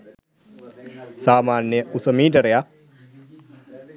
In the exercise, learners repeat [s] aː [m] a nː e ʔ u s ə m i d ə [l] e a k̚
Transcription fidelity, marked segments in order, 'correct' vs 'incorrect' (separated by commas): correct, correct, incorrect